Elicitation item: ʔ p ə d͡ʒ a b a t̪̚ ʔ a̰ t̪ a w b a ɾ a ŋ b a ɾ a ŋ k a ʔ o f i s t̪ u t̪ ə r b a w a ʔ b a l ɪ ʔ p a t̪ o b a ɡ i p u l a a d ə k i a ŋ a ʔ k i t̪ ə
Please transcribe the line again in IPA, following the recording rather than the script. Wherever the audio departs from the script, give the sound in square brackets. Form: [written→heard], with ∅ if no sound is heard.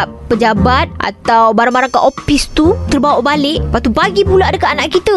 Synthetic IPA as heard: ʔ p ə d͡ʒ a b a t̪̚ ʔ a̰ t̪ a w b a ɾ a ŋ b a ɾ a ŋ k a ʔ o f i s t̪ u t̪ ə r b a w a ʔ b a l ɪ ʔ p a t̪ [o→u] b a ɡ i p u l a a d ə k [i→a] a [ŋ→n] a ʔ k i t̪ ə